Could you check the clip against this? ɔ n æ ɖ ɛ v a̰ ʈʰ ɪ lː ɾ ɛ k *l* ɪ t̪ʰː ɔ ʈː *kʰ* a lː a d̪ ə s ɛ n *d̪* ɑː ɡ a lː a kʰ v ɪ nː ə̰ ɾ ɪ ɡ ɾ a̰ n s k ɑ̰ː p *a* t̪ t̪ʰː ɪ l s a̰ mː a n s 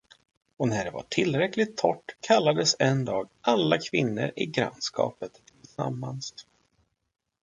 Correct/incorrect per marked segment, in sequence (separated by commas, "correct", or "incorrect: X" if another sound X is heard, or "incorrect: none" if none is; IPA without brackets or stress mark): correct, correct, correct, incorrect: ə